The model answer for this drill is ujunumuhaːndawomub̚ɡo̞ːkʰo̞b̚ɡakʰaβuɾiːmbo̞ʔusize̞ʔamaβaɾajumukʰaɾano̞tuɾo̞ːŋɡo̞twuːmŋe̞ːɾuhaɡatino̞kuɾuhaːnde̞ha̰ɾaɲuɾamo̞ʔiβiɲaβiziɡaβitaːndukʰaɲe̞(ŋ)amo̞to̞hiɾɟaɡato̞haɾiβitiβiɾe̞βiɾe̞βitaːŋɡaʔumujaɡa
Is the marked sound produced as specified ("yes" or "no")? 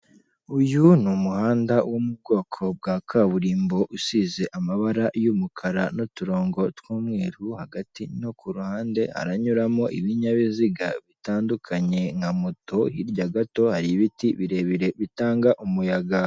yes